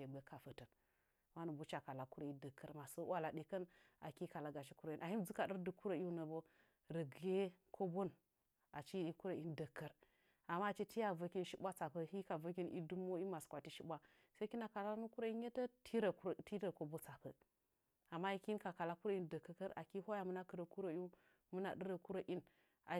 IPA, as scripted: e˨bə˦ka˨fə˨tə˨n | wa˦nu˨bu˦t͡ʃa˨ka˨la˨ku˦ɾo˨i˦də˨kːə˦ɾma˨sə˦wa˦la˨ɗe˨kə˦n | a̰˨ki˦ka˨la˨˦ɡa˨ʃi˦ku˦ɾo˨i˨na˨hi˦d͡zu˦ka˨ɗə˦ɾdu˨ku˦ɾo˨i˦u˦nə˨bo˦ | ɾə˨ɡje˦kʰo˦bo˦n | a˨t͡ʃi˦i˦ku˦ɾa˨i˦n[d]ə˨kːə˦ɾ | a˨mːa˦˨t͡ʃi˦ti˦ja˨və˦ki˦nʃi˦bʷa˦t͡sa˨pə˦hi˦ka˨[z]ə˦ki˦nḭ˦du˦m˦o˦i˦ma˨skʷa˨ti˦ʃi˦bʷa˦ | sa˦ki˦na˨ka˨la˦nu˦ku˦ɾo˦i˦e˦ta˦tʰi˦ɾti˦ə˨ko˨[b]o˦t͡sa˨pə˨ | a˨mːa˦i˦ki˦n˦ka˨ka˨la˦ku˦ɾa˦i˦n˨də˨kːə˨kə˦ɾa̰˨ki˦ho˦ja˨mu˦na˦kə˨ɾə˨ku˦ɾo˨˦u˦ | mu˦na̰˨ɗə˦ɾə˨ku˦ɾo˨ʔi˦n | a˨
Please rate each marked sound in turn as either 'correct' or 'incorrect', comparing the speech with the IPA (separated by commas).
correct, incorrect, correct